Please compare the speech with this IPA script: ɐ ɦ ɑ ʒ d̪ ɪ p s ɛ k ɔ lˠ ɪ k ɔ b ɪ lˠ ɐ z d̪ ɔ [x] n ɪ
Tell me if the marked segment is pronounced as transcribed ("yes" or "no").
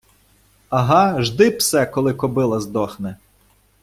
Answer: yes